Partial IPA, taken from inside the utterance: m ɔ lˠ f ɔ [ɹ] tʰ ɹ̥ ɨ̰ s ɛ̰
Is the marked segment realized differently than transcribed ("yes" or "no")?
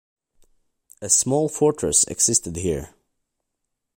no